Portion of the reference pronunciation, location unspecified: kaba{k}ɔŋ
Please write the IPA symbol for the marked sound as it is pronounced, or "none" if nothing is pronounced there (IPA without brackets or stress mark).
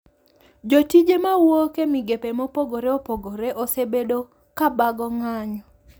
ɡ